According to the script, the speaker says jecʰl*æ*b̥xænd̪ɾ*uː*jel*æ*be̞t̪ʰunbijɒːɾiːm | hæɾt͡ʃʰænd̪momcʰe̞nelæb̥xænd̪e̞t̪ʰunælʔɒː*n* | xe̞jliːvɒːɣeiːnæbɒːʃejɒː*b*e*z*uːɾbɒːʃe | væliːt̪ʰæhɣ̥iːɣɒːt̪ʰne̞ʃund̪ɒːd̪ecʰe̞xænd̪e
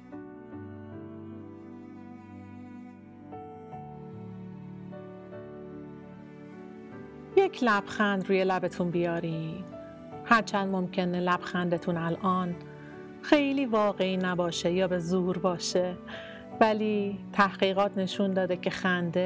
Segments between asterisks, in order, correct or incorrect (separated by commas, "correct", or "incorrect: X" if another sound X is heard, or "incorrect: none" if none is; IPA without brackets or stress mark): correct, correct, correct, correct, correct, correct